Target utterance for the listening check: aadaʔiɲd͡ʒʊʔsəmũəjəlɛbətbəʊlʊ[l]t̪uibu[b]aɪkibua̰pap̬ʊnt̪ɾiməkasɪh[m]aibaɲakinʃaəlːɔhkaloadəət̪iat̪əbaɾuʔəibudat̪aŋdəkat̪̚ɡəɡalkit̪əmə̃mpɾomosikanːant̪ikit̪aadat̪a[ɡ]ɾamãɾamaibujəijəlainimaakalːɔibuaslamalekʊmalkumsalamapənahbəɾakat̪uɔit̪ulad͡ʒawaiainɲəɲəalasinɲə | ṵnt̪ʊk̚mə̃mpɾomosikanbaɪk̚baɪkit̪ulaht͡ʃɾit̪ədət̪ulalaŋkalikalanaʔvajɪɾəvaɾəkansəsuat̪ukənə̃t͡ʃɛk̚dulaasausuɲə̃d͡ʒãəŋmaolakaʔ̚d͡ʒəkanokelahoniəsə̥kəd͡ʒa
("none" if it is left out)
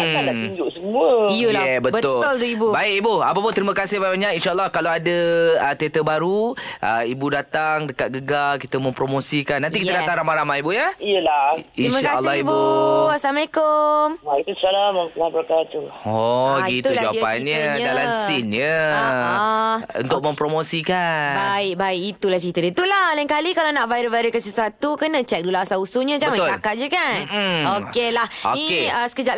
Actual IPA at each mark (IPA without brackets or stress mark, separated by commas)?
l, b, b, ŋ